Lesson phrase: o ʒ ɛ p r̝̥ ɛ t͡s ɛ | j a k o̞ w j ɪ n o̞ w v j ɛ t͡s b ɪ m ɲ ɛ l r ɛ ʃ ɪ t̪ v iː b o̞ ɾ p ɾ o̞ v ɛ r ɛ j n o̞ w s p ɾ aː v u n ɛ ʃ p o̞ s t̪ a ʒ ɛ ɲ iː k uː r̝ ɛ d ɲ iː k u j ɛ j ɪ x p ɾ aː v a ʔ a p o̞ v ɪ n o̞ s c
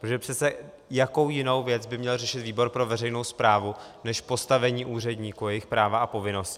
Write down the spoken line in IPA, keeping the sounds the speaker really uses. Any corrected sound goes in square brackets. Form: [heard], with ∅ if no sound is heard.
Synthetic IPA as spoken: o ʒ ɛ p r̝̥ ɛ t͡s ɛ | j a k o̞ w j ɪ n o̞ w v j ɛ t͡s b ɪ m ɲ ɛ l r ɛ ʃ ɪ t̪ v iː b o̞ ɾ p ɾ o̞ v ɛ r ɛ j n o̞ w s p ɾ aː v u n ɛ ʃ p o̞ s t̪ a [v] ɛ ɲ iː [ʔ] uː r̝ ɛ d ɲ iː k u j ɛ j ɪ x p ɾ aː v a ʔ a p o̞ v ɪ n o̞ s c